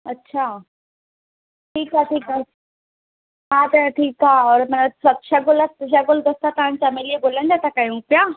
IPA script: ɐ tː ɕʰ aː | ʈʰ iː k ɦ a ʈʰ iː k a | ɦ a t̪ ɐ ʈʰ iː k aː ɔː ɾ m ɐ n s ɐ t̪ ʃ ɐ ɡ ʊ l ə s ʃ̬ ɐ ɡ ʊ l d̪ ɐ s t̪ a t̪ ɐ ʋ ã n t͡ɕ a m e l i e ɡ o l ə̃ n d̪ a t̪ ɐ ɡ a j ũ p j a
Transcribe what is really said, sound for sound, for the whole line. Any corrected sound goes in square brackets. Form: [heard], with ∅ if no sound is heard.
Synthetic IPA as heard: ɐ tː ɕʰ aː | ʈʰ iː k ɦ a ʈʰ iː k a | ɦ a t̪ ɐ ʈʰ iː k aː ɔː ɾ m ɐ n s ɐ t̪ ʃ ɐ ɡ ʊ l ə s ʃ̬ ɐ ɡ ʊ l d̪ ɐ s t̪ a t̪ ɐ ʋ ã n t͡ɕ a m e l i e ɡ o l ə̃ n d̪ a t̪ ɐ [k] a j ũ p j a